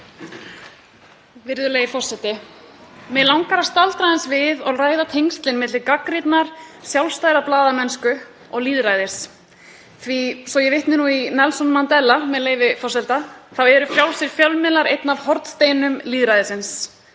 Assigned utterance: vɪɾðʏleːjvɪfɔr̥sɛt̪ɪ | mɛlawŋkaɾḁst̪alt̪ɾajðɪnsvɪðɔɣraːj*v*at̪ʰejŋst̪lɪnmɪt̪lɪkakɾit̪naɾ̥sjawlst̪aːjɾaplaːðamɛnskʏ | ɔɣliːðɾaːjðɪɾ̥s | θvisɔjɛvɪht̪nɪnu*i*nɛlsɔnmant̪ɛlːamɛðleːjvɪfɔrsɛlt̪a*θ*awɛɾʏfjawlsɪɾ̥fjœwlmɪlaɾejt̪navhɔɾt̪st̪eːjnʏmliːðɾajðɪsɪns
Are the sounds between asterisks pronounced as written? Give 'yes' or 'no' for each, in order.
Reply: no, yes, yes

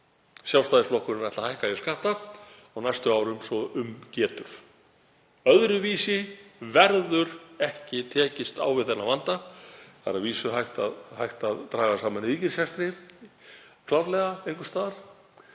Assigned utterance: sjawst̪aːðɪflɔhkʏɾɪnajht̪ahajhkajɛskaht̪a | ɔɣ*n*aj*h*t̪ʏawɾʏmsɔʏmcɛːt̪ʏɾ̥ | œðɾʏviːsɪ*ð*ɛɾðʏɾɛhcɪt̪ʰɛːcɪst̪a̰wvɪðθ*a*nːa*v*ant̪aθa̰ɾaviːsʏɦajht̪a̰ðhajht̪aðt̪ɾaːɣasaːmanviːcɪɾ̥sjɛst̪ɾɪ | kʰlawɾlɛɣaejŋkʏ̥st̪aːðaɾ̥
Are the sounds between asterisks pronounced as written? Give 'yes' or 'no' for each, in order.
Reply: yes, no, no, no, yes

